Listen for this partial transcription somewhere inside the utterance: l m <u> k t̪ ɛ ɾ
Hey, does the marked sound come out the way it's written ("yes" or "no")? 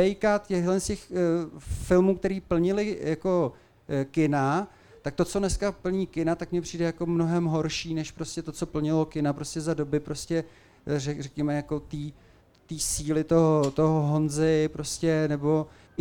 no